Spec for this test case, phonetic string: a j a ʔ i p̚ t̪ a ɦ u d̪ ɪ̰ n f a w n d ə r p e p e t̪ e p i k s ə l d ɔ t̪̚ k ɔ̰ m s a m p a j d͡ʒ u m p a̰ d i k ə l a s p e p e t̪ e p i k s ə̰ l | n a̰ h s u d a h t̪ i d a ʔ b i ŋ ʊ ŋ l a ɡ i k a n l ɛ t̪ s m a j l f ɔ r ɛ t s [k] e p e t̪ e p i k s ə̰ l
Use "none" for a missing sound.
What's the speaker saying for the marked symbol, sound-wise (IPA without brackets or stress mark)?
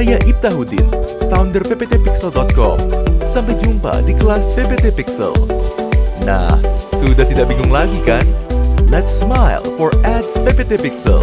p